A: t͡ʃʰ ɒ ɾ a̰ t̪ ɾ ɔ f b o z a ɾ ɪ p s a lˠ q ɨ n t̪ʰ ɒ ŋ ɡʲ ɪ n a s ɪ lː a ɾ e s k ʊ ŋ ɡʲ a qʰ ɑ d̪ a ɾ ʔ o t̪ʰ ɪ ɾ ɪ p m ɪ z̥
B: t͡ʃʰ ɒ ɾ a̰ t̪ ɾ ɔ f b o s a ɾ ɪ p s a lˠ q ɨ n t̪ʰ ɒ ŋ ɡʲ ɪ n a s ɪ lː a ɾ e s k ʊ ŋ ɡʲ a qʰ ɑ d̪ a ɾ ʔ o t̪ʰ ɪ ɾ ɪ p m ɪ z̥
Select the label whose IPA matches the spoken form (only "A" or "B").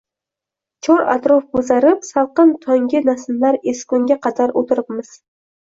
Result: A